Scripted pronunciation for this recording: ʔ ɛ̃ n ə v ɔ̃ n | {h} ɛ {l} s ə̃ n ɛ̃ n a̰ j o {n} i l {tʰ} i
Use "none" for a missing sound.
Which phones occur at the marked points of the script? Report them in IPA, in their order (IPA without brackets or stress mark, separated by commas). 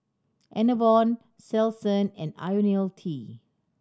s, l, n, tʰ